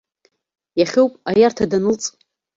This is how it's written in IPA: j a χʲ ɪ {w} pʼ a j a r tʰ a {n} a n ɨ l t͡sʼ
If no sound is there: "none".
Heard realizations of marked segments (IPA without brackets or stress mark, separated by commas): w, d